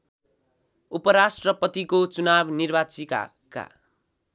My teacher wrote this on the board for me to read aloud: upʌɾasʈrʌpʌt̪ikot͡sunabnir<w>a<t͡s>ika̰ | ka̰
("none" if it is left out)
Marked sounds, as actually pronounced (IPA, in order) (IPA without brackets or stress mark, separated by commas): b, t͡s